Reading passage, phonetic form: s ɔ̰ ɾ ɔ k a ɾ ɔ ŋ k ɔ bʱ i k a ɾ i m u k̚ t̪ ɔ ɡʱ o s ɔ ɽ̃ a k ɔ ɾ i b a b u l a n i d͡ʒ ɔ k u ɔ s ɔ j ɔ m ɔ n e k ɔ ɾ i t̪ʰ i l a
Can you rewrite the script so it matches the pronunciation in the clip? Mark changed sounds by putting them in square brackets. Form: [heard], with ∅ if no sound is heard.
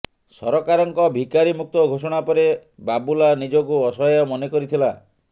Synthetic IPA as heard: s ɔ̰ ɾ ɔ k a ɾ ɔ ŋ k ɔ bʱ i k a ɾ i m u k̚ t̪ ɔ ɡʱ o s ɔ ɽ̃ a [p] ɔ ɾ [e] b a b u l a n i d͡ʒ ɔ k u ɔ s ɔ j ɔ m ɔ n e k ɔ ɾ i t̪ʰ i l a